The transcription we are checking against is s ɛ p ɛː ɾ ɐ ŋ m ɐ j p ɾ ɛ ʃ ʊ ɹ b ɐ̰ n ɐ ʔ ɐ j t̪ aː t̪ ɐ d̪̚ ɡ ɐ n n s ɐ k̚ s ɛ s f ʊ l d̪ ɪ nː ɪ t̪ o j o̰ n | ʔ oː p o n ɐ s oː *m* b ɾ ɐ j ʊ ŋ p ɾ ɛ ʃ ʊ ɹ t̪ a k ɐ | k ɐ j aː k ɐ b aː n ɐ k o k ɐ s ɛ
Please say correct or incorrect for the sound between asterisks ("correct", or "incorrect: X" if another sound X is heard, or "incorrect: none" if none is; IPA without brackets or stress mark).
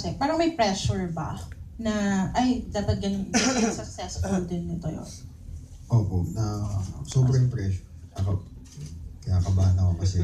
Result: incorrect: none